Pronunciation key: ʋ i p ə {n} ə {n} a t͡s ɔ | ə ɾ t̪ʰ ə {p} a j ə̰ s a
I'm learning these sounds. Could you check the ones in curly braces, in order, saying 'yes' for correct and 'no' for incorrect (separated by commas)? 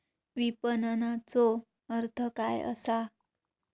yes, yes, no